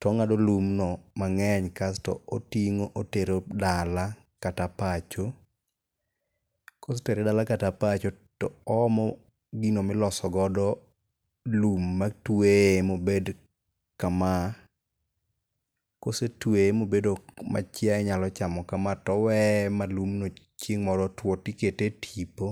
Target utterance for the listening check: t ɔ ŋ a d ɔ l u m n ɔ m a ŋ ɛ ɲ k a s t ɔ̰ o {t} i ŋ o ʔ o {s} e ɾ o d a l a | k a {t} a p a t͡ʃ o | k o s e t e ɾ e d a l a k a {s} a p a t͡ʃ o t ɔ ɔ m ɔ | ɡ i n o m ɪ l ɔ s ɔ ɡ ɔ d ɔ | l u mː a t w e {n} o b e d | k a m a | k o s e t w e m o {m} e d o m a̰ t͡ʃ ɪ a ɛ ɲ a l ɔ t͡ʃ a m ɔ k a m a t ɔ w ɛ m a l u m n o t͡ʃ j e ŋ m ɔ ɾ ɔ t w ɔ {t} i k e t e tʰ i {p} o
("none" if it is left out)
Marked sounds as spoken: t, t, t, t, m, b, t, p

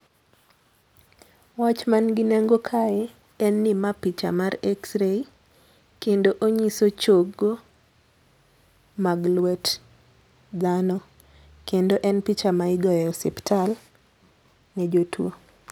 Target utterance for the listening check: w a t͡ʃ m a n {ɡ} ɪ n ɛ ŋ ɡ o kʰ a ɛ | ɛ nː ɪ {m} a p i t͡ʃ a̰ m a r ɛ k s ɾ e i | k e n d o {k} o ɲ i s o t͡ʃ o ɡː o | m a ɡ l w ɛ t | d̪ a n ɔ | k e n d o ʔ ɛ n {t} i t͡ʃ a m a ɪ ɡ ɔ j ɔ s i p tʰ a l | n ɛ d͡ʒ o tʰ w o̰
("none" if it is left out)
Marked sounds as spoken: ɡ, m, ʔ, p

